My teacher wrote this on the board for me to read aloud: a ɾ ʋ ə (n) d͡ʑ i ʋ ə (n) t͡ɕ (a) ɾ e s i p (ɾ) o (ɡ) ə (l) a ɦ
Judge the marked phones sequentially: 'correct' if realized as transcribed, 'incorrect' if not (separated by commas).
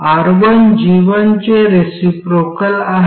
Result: correct, correct, incorrect, correct, incorrect, correct